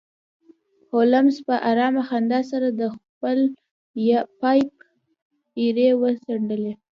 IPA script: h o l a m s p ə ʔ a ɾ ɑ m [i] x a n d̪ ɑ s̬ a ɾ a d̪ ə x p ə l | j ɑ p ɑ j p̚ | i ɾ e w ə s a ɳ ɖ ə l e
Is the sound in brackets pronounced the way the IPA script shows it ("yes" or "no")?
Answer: no